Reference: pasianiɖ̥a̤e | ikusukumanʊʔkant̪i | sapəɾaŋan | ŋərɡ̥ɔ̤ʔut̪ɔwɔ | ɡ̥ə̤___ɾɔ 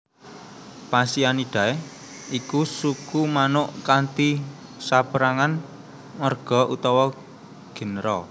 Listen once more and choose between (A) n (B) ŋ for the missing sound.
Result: A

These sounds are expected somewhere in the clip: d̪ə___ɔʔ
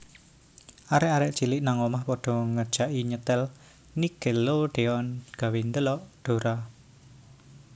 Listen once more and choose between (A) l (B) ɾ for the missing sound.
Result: A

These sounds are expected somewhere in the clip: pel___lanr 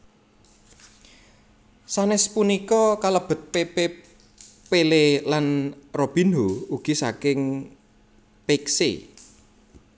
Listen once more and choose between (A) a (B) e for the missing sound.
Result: B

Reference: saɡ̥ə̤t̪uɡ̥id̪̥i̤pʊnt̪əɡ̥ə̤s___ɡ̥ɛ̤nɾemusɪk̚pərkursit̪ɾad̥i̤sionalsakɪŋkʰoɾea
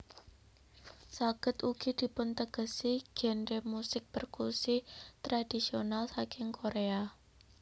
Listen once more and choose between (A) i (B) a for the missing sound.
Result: A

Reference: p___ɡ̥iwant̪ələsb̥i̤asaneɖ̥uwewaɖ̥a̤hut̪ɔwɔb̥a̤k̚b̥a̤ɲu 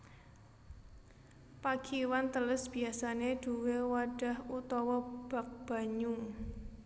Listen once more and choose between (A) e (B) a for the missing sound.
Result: B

